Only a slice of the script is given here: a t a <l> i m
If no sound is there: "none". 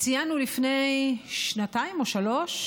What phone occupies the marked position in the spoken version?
none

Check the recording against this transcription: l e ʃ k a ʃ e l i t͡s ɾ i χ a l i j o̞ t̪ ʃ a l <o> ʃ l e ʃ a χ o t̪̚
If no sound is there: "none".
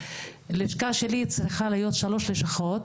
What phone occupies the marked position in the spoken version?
o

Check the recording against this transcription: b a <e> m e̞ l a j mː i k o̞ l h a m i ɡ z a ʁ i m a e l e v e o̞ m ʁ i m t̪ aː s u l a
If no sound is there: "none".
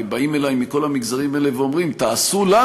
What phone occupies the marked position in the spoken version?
i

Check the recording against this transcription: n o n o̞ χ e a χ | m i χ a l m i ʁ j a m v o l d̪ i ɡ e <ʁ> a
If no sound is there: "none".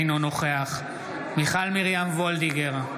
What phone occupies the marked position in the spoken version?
ʁ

